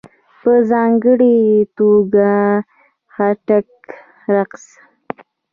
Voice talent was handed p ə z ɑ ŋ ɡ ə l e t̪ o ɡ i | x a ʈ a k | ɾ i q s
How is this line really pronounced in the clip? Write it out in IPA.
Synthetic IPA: p ə z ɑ ŋ ɡ ə ɽ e t̪ o ɡ a | x a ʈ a k | ɾ a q s